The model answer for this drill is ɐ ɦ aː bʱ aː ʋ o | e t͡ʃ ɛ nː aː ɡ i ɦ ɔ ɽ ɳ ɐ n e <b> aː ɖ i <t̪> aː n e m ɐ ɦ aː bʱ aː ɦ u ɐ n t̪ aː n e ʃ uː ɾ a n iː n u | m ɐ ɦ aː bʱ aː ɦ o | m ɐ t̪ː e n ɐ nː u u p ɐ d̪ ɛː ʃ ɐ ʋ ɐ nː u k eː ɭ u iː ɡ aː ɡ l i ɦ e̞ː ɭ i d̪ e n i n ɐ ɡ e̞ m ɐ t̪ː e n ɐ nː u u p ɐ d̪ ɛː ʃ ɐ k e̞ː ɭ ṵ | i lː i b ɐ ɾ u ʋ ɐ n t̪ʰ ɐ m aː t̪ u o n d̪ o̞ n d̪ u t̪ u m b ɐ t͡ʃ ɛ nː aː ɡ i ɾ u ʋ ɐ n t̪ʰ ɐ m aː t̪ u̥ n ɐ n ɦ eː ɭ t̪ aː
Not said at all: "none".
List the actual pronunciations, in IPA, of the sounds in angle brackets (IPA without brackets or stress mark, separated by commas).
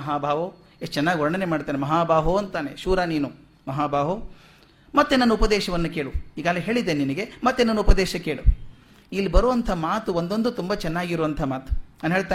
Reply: m, t̪